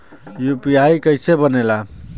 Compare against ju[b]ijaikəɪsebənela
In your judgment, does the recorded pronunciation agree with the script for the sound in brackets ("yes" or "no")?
no